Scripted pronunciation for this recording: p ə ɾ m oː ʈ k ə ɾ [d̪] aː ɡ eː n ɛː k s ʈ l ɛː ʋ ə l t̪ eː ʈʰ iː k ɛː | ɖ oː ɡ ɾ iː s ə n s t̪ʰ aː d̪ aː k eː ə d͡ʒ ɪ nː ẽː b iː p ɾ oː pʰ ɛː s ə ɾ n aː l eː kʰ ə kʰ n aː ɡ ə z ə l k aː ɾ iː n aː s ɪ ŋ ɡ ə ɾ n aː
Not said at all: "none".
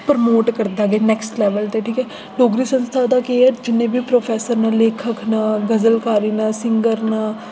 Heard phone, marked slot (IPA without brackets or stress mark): d̪